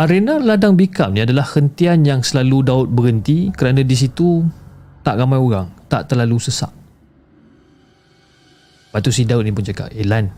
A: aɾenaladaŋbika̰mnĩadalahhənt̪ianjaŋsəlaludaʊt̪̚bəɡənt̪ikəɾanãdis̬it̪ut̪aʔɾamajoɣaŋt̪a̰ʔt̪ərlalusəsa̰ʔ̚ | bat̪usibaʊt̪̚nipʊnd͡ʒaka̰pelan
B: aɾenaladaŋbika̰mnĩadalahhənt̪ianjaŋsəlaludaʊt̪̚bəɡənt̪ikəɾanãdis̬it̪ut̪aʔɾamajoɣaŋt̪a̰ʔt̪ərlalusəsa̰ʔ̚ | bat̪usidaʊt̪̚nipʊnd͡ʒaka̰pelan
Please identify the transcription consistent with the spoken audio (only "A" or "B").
B